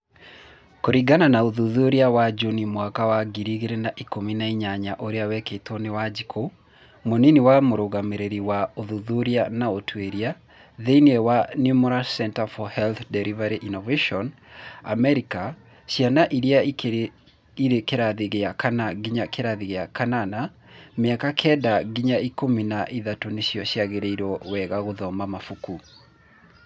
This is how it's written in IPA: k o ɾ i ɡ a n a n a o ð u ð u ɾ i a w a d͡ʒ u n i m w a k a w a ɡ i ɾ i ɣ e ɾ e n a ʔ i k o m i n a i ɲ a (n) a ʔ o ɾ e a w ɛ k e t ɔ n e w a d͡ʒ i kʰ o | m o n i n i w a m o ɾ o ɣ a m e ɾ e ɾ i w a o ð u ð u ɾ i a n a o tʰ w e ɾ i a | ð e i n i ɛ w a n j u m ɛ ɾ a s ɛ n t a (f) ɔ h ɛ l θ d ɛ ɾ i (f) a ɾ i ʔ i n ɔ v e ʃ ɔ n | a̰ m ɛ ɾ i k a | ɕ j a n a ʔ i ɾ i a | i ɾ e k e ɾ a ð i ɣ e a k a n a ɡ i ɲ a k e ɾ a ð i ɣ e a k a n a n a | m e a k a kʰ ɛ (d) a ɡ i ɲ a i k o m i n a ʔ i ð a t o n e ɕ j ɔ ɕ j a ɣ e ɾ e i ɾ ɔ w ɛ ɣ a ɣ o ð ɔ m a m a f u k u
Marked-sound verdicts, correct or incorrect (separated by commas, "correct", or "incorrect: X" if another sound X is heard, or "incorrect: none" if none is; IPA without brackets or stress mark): incorrect: ɲ, correct, incorrect: v, correct